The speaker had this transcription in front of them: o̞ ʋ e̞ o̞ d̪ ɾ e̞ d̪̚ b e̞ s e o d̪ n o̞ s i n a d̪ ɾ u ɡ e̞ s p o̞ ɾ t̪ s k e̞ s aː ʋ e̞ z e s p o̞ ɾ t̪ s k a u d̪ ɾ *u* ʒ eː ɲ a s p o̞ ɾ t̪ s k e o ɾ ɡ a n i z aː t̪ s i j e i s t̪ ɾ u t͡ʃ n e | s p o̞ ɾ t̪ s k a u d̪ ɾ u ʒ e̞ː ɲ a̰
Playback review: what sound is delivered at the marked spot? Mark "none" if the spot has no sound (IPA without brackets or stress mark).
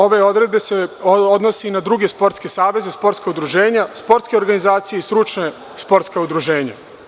u